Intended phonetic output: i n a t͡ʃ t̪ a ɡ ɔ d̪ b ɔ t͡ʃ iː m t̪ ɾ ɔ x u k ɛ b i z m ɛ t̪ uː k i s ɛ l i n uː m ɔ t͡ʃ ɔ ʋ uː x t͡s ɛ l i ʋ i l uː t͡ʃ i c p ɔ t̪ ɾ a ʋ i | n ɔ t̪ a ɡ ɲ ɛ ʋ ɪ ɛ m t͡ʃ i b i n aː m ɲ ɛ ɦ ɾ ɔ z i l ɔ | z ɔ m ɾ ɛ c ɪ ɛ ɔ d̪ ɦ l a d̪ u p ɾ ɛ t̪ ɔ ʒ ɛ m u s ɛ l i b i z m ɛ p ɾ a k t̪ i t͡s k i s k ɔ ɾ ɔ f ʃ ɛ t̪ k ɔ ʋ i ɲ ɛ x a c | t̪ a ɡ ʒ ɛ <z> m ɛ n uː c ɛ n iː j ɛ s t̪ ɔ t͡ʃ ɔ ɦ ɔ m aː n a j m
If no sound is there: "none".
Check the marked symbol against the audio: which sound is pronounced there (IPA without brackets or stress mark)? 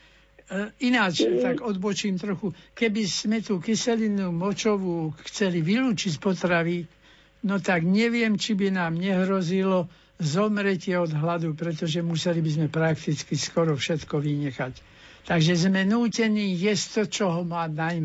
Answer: z